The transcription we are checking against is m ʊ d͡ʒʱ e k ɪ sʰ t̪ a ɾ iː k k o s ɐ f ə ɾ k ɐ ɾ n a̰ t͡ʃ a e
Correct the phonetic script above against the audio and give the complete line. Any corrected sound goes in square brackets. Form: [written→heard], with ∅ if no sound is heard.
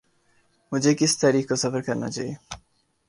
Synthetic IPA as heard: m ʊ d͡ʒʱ e k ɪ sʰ t̪ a ɾ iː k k o s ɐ f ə ɾ k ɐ ɾ n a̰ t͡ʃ a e